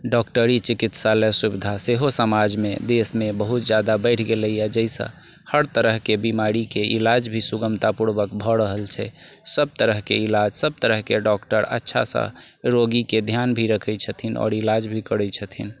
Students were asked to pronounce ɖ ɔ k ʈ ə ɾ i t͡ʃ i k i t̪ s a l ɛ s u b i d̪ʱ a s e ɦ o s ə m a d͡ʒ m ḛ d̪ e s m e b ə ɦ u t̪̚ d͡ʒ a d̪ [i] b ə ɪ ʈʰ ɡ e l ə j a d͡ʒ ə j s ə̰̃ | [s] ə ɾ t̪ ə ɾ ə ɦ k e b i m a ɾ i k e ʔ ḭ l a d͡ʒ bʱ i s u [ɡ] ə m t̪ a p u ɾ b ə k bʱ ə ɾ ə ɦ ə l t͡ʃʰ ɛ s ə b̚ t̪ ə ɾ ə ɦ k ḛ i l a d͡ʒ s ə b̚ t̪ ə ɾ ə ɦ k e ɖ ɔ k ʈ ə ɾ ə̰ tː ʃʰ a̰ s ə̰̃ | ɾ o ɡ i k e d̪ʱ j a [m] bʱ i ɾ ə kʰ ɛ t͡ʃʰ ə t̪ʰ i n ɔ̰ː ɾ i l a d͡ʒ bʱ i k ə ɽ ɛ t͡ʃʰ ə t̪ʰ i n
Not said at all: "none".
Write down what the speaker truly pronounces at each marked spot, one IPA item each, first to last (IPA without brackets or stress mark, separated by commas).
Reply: a, h, ɡ, n